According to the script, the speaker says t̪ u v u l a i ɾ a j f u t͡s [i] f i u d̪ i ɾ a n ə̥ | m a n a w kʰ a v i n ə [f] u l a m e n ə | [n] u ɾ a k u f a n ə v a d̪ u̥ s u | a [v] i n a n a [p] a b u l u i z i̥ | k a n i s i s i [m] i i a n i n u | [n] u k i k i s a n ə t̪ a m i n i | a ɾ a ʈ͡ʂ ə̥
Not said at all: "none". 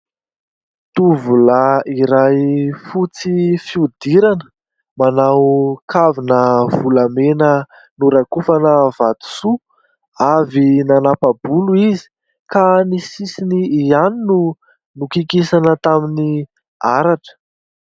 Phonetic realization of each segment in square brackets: i, v, n, v, p, n, n

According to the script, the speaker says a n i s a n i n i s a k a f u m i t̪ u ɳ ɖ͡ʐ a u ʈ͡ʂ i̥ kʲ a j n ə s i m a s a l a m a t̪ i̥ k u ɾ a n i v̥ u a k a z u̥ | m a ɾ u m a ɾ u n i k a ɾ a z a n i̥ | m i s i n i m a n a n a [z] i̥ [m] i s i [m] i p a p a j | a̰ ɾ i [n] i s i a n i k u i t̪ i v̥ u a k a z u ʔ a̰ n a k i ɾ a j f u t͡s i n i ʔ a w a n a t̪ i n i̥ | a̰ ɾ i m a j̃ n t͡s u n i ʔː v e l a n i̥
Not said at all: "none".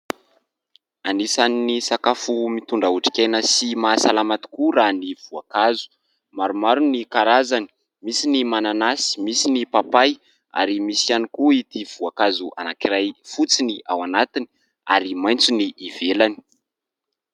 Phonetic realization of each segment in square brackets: s, m, n, m

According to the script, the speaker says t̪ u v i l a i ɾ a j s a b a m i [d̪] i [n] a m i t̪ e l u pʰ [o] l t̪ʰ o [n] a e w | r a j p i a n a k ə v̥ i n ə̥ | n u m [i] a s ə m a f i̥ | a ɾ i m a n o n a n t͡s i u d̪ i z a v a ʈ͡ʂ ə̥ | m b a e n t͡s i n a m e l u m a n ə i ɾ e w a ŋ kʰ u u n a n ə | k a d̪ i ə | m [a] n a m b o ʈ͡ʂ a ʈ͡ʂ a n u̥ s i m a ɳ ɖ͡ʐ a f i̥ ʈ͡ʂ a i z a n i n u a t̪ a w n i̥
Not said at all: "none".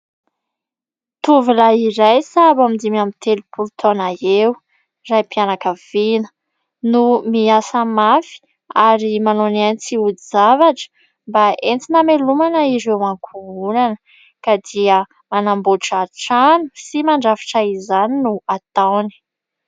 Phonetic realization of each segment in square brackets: d̪, m, u, n, i, a

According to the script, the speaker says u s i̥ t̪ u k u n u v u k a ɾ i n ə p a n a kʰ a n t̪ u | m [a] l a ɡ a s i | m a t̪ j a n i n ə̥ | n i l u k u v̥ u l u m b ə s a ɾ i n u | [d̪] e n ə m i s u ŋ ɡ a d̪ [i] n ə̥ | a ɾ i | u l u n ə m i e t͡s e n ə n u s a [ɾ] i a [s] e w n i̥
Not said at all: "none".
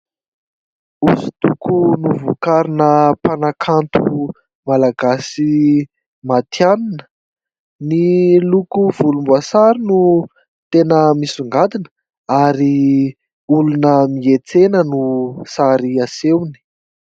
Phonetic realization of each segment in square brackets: a, t̪, i, ɾ, s

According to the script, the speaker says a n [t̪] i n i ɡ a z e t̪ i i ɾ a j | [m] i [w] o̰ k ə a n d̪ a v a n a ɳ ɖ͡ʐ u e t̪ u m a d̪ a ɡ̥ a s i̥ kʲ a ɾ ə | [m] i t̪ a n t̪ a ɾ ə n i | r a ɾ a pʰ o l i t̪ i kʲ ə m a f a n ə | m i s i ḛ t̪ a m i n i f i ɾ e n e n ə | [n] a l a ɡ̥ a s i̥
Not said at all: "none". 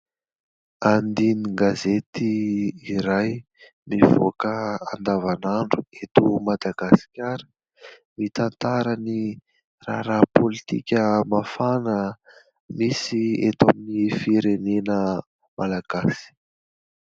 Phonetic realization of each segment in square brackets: d̪, m, v, m, m

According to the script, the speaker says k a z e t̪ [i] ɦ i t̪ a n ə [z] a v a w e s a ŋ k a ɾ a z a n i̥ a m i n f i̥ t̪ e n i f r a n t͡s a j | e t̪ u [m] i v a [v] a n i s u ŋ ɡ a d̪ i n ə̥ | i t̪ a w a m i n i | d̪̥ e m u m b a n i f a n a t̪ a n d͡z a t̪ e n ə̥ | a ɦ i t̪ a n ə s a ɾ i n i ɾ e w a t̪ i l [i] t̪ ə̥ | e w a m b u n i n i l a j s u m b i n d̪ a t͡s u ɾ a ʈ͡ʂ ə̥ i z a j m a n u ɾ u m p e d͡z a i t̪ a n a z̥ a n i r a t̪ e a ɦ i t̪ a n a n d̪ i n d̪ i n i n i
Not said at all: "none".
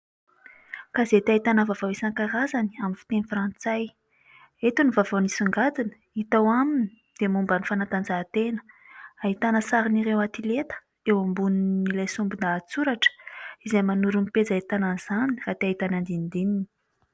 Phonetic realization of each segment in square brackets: a, v, n, v, e

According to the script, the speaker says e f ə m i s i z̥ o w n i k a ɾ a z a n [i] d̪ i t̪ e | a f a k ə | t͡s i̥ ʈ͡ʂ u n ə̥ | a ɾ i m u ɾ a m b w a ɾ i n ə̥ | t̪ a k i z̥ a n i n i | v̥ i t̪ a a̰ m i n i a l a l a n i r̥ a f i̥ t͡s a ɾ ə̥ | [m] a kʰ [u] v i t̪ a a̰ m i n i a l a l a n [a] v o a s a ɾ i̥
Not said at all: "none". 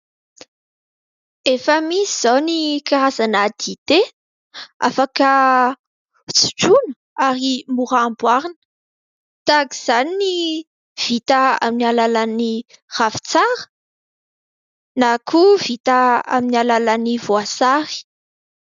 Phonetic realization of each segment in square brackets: a, n, u, i

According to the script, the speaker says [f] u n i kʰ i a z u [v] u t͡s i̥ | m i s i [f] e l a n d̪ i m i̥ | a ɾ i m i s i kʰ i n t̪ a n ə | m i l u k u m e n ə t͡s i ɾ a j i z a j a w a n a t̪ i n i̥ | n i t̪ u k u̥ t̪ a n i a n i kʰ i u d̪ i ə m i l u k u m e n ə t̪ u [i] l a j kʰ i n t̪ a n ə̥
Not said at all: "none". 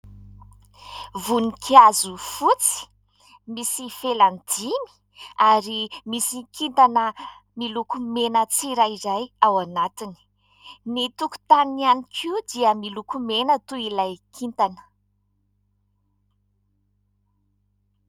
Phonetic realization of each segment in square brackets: v, f, f, i

